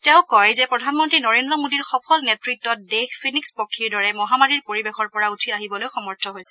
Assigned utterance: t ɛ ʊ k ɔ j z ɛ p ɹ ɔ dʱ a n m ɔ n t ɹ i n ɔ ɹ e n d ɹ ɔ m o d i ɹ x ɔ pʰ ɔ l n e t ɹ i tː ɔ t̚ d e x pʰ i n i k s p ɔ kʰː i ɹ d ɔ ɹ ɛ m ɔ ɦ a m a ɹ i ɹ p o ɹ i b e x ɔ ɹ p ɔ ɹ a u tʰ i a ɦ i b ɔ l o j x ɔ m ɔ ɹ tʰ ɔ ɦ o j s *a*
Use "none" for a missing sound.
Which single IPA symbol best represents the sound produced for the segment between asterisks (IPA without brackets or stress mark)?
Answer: ɛ